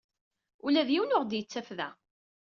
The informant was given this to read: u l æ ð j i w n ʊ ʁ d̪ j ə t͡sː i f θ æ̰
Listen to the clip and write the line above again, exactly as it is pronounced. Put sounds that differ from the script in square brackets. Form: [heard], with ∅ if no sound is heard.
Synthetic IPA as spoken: u l æ ð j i w n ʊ ʁ d̪ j ə t͡sː [æ] f [ð] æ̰